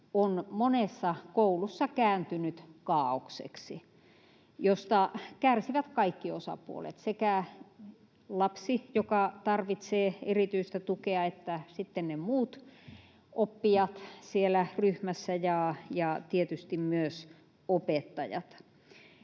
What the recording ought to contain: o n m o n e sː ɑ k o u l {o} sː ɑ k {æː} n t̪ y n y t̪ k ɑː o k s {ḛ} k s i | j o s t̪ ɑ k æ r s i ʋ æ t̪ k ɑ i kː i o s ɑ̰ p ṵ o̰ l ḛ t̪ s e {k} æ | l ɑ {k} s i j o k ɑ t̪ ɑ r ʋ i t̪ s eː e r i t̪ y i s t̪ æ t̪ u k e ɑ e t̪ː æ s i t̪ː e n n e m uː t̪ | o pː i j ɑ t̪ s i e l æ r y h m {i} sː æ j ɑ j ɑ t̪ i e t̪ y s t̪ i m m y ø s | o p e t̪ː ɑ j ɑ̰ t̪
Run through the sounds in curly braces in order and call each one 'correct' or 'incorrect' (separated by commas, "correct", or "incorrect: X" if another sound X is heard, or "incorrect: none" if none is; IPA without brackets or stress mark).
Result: incorrect: u, correct, correct, correct, incorrect: p, incorrect: æ